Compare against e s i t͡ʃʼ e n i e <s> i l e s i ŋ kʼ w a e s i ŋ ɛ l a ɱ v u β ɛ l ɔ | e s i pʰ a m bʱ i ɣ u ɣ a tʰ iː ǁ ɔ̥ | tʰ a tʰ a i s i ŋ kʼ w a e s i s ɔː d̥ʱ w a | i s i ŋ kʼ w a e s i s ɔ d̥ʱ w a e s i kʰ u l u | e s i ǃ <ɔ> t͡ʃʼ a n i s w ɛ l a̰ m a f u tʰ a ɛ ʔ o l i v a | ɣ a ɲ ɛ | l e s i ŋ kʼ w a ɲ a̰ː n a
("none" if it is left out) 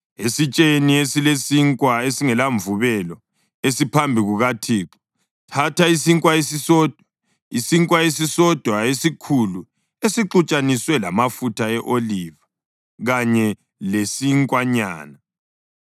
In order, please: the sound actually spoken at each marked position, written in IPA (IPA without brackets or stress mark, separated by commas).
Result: s, u